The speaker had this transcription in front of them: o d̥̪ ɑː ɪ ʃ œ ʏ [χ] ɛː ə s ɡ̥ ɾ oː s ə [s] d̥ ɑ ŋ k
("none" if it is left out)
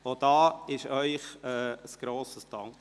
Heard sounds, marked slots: χ, s

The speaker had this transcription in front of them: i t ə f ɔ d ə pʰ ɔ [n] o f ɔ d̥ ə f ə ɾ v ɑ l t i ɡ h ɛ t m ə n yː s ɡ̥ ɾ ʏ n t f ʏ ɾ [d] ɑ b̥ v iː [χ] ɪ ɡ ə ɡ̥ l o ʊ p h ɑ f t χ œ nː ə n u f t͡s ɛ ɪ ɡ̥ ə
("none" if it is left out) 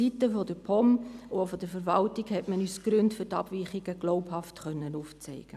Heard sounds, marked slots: m, t, χ

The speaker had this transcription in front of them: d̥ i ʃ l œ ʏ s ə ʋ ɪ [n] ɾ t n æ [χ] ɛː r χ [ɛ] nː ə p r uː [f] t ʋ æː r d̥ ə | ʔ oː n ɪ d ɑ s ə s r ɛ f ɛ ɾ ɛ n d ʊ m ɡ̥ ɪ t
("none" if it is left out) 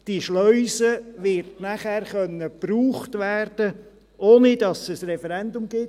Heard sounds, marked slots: none, χ, œ, χ

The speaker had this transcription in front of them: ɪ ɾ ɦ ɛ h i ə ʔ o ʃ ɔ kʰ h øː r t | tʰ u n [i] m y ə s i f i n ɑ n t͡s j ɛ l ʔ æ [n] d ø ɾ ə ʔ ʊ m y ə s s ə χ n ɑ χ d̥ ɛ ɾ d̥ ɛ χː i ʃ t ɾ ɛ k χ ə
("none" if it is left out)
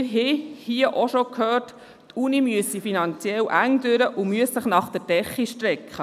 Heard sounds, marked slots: i, ŋ

